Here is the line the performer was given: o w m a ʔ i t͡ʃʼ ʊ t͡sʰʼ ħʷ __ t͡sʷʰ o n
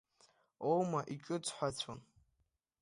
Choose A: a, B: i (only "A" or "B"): A